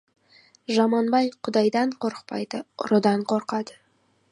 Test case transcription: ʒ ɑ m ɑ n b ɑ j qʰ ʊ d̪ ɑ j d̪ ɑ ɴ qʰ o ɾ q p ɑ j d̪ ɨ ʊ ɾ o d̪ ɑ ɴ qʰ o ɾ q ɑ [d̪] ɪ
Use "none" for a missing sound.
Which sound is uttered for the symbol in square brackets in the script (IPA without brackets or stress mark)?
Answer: d̪